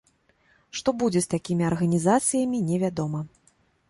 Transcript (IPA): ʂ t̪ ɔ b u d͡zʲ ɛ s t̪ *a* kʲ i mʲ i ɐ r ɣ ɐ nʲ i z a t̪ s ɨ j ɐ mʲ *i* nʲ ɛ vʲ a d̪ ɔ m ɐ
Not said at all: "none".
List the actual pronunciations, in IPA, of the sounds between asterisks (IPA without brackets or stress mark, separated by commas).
a, i